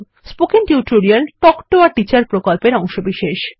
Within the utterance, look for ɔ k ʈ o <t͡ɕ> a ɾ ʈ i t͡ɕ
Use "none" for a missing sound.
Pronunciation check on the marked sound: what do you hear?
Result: none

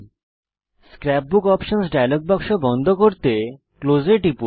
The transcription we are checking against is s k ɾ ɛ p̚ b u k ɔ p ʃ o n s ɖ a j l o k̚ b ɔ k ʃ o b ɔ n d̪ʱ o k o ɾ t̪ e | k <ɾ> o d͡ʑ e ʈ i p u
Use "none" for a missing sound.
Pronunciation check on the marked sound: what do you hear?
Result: l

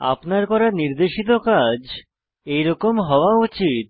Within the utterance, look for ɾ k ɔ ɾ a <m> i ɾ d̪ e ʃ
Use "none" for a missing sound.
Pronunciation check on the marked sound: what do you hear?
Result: n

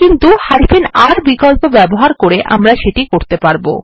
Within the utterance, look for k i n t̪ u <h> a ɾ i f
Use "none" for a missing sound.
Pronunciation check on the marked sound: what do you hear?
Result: h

